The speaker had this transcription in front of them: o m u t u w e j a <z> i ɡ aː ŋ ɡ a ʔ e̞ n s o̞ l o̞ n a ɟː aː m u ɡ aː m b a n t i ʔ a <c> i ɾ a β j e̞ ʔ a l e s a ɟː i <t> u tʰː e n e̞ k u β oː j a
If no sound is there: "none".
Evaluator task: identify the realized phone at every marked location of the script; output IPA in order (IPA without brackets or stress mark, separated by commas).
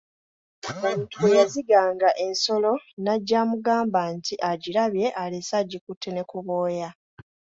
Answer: z, ɟ, k